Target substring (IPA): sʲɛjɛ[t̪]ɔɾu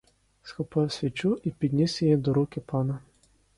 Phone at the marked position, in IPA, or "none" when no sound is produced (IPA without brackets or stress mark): d̪